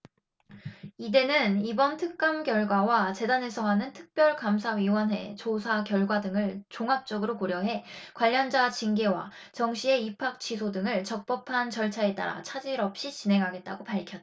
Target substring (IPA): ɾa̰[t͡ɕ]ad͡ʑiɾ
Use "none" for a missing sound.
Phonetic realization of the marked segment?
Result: t͡ɕʰ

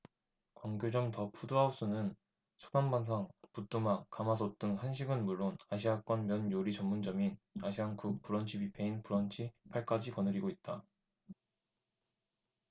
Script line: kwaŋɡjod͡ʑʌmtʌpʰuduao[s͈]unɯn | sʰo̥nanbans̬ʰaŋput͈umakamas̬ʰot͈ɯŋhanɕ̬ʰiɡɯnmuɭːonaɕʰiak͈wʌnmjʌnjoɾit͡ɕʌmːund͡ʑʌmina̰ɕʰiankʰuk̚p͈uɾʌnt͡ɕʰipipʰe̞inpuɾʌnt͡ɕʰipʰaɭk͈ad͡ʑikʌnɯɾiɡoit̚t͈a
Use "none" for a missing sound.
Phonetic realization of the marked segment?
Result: s͈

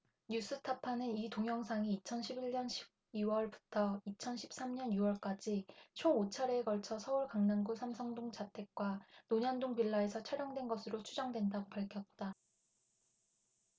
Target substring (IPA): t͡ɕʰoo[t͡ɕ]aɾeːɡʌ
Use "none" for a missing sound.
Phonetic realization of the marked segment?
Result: t͡ɕʰ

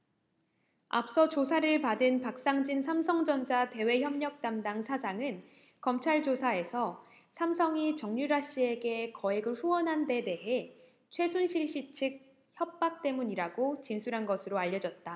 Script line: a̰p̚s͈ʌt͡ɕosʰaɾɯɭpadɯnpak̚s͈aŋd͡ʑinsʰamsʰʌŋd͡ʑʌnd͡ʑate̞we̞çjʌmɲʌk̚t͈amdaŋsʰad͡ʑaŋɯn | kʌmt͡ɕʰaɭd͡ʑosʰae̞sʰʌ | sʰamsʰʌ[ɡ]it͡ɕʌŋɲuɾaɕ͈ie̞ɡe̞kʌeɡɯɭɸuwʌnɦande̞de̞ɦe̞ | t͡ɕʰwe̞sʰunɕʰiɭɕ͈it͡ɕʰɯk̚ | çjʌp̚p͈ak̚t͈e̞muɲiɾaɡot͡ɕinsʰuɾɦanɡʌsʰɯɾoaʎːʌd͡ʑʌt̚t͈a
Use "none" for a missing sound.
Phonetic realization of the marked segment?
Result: ŋ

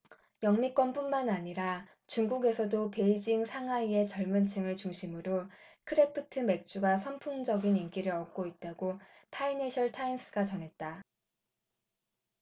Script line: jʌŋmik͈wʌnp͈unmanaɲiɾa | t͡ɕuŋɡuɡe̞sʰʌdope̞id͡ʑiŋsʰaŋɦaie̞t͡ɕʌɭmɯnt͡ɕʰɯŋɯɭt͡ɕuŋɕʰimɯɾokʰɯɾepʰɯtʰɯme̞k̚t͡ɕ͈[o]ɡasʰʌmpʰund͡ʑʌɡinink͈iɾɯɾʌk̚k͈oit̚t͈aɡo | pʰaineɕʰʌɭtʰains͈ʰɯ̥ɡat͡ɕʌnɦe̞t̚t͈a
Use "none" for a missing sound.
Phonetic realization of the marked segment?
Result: u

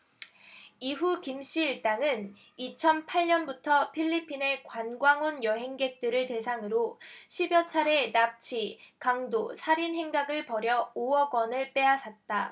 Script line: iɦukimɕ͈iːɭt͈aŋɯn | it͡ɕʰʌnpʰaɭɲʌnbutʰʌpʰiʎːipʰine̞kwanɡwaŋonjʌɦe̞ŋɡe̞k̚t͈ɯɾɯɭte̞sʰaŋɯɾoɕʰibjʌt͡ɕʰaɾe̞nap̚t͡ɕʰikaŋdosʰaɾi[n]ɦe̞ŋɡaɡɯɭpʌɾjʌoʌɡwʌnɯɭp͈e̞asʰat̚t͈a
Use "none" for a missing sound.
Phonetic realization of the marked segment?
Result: n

